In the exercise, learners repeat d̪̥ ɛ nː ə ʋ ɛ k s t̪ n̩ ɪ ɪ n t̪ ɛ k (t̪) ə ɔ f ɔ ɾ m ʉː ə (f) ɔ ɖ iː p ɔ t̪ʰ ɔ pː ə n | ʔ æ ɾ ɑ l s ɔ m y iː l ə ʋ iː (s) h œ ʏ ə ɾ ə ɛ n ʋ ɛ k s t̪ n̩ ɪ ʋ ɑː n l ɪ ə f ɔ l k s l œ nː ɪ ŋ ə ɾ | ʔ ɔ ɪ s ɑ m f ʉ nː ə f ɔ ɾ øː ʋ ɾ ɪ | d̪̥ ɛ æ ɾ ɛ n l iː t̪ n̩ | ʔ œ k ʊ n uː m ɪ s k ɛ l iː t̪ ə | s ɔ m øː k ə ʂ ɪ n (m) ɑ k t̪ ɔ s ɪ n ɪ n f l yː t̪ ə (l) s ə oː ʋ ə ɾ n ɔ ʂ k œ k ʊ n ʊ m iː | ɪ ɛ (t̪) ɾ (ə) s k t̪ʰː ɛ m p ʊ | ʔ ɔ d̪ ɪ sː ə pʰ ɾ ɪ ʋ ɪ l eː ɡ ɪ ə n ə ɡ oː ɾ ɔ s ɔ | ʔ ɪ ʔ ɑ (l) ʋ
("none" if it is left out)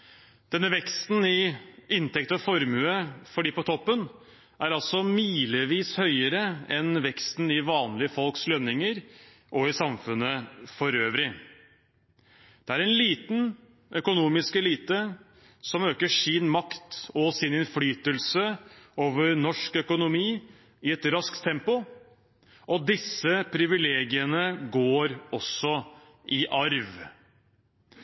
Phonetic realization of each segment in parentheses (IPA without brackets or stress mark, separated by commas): t̪, f, s, m, l, t̪, ɑ, ɾ